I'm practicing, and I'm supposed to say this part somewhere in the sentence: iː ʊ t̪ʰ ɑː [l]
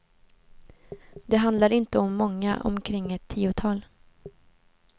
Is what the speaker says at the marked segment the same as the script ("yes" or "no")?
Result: yes